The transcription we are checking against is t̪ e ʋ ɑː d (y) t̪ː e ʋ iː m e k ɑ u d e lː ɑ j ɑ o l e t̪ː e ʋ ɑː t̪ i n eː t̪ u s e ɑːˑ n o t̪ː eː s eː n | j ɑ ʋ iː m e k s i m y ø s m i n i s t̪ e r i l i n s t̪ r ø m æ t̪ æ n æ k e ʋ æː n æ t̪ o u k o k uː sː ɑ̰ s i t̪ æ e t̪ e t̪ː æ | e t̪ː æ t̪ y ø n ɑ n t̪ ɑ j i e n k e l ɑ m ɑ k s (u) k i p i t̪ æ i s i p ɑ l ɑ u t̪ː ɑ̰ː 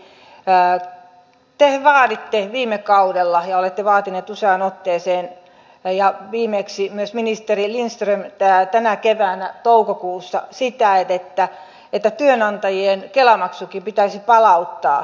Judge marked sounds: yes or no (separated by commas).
no, yes